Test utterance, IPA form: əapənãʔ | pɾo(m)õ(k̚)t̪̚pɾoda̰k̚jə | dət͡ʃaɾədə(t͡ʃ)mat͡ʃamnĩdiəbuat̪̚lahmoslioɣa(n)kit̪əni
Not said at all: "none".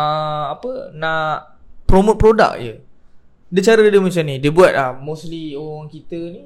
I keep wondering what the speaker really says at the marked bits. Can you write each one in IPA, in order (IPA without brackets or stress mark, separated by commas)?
m, none, none, ŋ